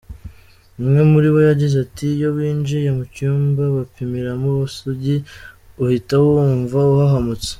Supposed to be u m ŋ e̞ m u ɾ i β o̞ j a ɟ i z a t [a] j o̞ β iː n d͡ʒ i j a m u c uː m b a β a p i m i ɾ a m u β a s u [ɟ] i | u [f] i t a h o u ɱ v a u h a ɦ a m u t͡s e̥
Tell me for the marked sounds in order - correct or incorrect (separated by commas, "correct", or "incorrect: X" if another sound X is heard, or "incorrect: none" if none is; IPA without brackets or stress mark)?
incorrect: i, correct, incorrect: h